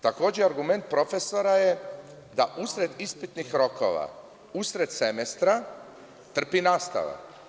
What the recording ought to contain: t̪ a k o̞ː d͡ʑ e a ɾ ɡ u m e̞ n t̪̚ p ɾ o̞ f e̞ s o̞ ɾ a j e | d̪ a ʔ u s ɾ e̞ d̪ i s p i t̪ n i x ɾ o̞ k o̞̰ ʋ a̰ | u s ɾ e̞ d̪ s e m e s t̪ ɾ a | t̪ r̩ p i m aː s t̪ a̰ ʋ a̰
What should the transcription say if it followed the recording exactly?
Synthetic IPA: t̪ a k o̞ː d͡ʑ e a ɾ ɡ u m e̞ n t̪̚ p ɾ o̞ f e̞ s o̞ ɾ a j e | d̪ a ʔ u s ɾ e̞ d̪ i s p i t̪ n i x ɾ o̞ k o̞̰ ʋ a̰ | u s ɾ e̞ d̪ s e m e s t̪ ɾ a | t̪ r̩ p i n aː s t̪ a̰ ʋ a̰